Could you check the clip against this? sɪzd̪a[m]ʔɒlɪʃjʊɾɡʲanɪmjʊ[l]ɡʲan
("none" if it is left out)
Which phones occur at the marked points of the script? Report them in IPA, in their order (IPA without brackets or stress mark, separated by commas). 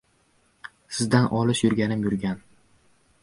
n, ɾ